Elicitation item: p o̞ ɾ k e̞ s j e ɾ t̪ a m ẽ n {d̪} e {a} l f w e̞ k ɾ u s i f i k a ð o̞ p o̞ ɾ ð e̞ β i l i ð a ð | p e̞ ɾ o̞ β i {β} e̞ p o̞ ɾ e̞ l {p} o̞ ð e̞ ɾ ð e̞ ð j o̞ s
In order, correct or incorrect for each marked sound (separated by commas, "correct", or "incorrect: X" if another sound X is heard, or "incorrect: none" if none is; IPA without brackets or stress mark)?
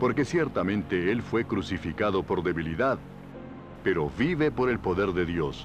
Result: incorrect: t̪, incorrect: e, correct, correct